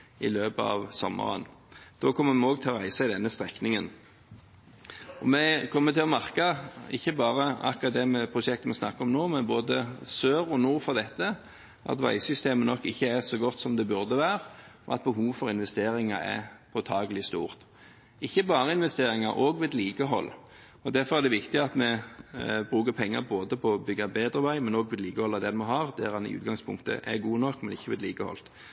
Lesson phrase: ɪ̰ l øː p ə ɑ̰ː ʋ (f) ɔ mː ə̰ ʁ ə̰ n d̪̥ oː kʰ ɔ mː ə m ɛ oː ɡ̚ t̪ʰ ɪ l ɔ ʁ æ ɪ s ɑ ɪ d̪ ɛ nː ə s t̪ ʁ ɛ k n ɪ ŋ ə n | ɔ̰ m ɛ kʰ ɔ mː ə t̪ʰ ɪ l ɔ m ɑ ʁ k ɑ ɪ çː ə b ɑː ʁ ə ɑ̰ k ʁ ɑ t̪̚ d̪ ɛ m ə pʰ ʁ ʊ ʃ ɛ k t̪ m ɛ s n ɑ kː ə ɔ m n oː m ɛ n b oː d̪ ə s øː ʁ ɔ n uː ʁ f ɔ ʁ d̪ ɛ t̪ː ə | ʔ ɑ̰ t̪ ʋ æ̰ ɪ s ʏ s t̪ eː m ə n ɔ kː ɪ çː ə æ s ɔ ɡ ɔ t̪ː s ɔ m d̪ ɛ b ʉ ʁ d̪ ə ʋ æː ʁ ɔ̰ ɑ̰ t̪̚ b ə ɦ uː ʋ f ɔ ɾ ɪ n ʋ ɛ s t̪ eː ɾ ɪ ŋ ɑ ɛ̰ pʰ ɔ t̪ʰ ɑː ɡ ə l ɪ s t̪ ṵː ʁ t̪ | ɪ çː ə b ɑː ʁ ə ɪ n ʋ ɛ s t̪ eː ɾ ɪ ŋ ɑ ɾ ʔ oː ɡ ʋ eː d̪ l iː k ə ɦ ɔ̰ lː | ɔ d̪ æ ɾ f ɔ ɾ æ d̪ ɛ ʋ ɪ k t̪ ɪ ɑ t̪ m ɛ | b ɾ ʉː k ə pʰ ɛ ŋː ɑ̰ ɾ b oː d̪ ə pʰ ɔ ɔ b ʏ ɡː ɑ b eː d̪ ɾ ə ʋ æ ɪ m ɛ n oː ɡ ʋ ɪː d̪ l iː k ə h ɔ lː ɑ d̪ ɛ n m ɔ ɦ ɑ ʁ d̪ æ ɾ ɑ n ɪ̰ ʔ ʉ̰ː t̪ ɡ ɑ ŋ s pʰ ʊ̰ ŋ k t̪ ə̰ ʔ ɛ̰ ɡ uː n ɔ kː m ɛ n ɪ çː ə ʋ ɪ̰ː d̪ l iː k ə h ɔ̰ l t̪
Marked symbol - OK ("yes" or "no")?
no